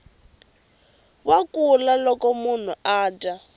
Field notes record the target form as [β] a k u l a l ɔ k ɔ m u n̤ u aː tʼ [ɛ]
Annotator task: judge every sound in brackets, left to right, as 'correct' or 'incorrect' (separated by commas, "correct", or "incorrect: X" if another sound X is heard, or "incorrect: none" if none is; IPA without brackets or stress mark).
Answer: incorrect: w, incorrect: a